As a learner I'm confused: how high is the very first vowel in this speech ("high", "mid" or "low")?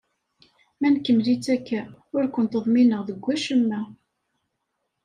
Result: low